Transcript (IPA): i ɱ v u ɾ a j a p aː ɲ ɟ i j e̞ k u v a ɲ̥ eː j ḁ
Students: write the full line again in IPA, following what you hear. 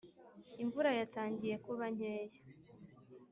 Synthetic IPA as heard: i ɱ v u ɾ a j a t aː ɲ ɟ i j e̞ k u β a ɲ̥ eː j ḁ